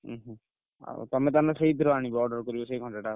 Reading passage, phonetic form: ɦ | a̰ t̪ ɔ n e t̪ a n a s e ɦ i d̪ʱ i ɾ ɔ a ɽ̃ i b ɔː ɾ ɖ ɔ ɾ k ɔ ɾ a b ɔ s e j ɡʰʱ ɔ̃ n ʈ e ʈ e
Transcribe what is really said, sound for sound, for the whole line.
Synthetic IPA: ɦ | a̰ t̪ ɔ m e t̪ a n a s e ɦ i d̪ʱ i ɾ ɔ a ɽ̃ i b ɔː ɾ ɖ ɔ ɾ k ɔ ɾ i b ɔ s e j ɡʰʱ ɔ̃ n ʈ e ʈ a